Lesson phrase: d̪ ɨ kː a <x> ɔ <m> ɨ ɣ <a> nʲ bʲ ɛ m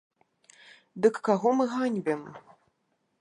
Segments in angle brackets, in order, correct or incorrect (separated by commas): incorrect, correct, correct